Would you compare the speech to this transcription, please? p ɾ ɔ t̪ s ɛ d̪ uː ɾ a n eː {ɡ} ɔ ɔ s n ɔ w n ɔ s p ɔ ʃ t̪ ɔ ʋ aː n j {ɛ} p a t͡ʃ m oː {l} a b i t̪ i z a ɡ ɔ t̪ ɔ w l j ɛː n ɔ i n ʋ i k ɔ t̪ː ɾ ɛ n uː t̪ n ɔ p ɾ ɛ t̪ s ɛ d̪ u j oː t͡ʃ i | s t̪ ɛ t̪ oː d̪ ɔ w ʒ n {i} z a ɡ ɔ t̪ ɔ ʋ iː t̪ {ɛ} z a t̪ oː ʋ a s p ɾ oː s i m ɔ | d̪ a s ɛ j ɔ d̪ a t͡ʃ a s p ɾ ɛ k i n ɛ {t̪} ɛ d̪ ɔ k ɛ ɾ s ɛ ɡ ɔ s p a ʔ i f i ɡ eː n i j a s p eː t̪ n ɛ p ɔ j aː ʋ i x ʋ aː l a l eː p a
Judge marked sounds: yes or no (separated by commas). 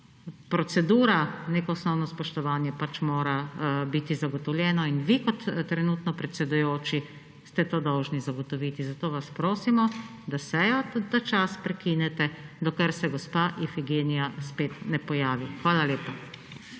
no, yes, no, yes, no, yes